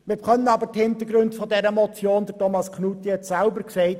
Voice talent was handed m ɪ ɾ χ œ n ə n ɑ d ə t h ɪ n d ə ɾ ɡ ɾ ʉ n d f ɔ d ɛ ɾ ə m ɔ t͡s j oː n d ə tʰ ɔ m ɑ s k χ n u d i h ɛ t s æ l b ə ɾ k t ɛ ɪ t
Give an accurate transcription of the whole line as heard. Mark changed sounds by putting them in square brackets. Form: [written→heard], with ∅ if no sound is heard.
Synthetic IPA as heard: m ɪ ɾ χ œ n ə n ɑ [d→b] ə t h ɪ n [d→t] ə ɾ ɡ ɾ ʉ n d f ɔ d ɛ ɾ ə m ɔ t͡s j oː n d ə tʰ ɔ m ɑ s k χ n u [d→t] i h ɛ t s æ l b ə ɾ k [t→s] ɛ ɪ t